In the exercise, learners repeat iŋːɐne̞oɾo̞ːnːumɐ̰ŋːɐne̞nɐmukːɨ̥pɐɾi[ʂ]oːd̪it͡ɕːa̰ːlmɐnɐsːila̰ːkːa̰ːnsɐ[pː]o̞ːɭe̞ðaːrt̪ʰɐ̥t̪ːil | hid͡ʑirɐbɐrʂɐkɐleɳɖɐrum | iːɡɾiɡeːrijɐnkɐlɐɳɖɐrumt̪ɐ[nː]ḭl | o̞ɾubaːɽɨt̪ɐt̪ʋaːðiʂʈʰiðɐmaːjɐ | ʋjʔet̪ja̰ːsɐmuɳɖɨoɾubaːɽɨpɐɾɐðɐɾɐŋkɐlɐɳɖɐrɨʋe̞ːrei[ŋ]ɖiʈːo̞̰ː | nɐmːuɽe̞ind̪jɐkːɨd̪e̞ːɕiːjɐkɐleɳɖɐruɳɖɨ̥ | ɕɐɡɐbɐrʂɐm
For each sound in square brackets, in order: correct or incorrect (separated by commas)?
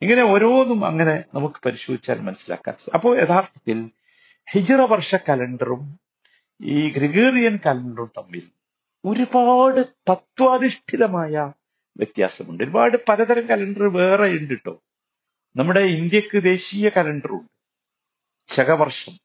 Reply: incorrect, correct, incorrect, incorrect